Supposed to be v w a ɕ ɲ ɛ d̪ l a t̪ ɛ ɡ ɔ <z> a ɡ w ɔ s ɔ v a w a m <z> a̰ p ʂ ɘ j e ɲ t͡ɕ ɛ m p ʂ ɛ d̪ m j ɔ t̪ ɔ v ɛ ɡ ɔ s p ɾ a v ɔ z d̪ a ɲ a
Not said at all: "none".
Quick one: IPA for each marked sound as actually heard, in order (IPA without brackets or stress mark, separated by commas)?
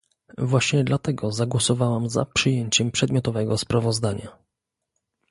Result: z, z